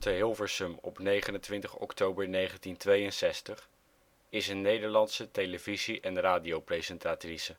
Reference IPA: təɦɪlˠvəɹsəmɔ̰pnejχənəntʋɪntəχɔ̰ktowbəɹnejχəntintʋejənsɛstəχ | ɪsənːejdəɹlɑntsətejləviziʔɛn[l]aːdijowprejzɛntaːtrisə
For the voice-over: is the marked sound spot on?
no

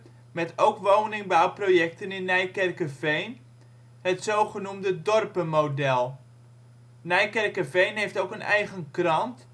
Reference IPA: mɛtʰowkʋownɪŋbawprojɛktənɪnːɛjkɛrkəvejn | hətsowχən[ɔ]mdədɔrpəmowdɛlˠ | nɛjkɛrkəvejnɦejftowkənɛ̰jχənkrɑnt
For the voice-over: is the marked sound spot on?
no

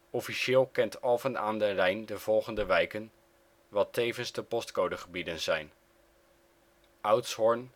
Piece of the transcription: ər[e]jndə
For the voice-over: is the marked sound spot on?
no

